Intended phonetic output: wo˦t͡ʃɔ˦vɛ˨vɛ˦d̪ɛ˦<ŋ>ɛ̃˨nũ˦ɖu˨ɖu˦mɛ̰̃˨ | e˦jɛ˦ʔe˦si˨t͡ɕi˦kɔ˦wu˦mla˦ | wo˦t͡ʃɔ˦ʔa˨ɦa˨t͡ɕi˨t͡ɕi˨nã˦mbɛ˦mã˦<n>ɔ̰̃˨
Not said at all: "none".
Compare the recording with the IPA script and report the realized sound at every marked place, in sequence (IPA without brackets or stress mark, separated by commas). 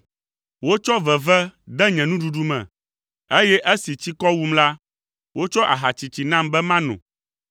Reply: ɲ, n